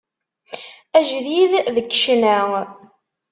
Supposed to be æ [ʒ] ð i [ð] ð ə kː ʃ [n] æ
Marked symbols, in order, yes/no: yes, yes, yes

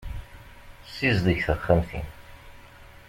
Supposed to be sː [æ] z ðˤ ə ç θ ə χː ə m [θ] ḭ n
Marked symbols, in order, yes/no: no, yes

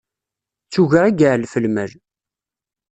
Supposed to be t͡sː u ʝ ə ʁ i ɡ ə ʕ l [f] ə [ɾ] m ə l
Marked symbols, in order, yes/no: yes, no

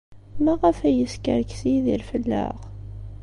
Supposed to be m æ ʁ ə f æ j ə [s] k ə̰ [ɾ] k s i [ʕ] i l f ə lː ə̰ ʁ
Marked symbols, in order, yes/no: yes, yes, no

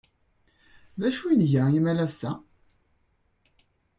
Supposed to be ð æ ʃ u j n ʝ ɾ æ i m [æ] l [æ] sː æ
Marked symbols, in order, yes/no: yes, yes

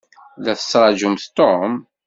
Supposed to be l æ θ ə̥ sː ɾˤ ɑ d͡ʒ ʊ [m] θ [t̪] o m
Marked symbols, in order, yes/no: yes, yes

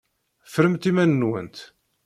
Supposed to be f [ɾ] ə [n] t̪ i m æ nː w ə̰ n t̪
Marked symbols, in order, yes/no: yes, no

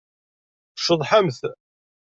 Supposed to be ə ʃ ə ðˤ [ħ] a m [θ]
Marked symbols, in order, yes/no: yes, yes

